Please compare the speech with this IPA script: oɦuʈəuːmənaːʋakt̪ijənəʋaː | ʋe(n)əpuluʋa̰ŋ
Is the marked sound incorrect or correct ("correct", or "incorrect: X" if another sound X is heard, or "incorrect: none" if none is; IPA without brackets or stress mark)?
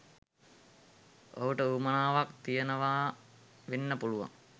incorrect: nː